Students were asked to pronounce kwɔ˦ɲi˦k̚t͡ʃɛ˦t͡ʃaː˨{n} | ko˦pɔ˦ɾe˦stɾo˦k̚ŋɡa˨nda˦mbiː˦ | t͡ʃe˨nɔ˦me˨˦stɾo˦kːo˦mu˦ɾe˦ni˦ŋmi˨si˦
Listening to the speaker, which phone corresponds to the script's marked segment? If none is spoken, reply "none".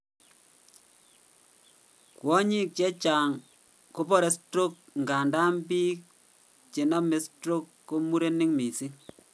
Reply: ŋ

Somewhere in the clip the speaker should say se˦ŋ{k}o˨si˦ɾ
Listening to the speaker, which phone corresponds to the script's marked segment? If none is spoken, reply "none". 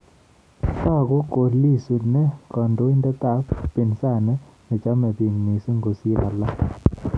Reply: ɡ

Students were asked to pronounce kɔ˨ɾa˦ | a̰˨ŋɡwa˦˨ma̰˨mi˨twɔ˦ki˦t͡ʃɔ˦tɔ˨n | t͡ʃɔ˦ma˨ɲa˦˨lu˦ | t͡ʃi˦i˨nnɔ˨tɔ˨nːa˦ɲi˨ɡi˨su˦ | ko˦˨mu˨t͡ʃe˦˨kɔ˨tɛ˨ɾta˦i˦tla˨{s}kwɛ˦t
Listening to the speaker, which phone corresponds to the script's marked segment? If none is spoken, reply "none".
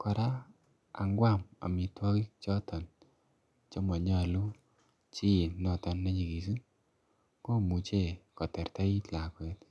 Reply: none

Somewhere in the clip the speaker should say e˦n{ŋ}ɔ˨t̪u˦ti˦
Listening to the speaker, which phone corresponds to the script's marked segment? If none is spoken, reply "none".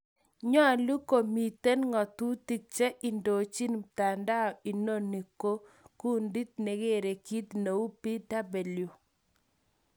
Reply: ŋ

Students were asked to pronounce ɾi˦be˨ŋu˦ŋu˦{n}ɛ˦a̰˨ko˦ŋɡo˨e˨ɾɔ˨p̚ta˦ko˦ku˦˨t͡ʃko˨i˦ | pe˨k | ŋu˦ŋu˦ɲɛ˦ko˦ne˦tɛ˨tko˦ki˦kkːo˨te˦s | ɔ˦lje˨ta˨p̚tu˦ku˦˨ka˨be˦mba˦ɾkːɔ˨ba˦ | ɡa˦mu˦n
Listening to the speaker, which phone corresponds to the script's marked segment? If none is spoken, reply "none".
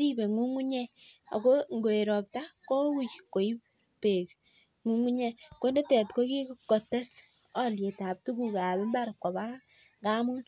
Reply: ɲ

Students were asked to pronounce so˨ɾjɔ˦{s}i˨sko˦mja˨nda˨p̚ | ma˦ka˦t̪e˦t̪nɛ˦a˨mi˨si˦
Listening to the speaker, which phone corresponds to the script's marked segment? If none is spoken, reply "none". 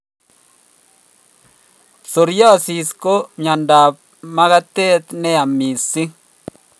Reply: s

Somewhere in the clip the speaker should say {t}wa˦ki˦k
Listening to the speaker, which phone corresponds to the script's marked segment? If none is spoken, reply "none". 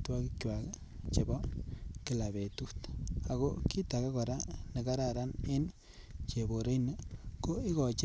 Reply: t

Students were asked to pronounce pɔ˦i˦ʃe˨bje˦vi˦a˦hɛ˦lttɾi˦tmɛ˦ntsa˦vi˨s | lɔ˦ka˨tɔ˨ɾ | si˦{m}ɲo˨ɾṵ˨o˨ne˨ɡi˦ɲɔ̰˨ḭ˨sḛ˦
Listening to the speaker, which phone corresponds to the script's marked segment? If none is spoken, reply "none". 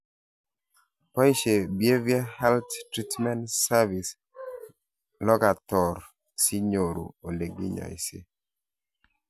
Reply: none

